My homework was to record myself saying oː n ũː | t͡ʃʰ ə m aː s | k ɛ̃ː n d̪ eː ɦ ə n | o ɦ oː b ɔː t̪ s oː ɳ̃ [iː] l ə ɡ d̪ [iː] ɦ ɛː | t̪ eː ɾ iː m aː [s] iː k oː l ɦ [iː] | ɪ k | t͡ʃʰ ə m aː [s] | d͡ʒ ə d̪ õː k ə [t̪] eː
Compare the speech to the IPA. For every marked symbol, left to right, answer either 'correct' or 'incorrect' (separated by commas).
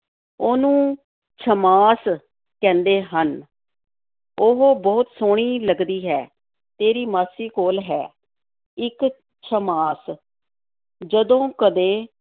correct, correct, correct, incorrect, correct, incorrect